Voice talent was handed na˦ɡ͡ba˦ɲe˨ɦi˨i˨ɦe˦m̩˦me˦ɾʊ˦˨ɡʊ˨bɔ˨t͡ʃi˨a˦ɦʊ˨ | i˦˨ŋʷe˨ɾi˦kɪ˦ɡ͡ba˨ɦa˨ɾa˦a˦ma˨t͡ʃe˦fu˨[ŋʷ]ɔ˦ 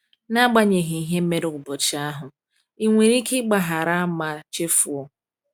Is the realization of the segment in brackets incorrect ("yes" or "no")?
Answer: yes